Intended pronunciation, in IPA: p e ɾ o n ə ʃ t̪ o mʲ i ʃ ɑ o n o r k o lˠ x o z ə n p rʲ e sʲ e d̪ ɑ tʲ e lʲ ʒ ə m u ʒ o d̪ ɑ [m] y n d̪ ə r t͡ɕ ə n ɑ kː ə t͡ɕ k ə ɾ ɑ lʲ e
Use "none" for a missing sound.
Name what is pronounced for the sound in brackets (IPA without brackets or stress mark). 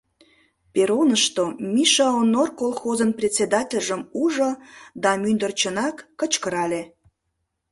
m